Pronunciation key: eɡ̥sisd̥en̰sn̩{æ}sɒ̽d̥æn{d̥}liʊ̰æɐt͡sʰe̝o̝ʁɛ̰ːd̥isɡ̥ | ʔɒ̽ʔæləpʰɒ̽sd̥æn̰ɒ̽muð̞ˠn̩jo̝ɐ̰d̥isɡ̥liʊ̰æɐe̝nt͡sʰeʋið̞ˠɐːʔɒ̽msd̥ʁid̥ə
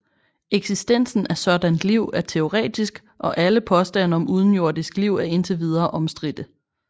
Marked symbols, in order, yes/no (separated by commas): yes, yes